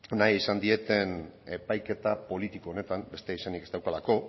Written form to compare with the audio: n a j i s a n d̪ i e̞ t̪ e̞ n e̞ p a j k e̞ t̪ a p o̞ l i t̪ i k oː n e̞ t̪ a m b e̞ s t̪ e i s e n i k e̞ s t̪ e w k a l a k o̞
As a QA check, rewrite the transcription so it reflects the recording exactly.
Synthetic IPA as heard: n a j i s a n d̪ i e̞ t̪ e̞ n e̞ p a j k e̞ t̪ a p o̞ l i t̪ i k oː n e̞ t̪ a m b e̞ s t̪ e i s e n i k e̞ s t̪ a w k a l a k o̞